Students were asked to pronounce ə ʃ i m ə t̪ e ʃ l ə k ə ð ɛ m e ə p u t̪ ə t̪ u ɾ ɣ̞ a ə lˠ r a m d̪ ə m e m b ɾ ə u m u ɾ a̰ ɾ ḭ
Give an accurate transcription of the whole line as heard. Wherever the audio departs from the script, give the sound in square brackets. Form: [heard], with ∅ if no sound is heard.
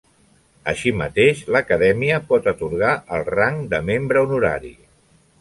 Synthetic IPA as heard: ə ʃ i m ə t̪ e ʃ l ə k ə ð ɛ m [i] ə p [ɔ] t̪ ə t̪ u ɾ ɣ̞ a ə lˠ r a [ŋ] d̪ ə m e m b ɾ ə u [n] u ɾ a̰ ɾ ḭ